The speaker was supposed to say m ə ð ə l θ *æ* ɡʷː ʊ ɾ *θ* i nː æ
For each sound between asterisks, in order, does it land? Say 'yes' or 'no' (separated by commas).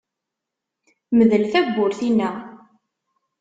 yes, yes